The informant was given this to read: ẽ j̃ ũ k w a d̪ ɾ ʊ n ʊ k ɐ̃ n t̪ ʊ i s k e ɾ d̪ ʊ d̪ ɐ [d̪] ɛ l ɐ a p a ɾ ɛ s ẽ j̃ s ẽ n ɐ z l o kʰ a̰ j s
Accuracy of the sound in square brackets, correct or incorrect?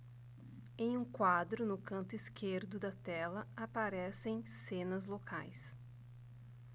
incorrect